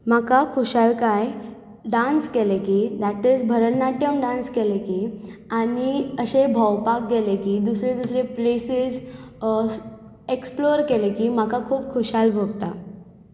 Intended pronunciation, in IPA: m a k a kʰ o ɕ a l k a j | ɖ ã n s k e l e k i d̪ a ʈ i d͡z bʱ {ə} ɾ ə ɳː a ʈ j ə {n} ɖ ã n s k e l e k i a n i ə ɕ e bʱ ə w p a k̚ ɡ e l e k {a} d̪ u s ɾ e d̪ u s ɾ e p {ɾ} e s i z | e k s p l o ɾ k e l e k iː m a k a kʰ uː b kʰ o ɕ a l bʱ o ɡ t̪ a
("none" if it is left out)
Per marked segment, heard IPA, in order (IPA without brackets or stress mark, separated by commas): ə, m, i, l